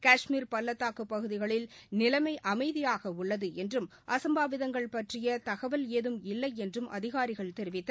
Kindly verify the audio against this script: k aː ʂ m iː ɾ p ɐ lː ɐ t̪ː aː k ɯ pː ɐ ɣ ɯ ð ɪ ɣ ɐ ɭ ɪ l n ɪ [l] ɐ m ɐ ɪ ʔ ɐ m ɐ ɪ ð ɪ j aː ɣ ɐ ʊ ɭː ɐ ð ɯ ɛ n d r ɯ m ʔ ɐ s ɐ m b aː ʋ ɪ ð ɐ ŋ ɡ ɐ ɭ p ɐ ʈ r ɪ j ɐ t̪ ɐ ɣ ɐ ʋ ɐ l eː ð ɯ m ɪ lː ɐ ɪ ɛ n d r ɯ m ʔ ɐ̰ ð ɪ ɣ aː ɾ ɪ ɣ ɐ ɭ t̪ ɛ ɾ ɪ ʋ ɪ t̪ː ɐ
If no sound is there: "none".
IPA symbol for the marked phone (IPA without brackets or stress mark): l